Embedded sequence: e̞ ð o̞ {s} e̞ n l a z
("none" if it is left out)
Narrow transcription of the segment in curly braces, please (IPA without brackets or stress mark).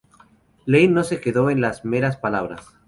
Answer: none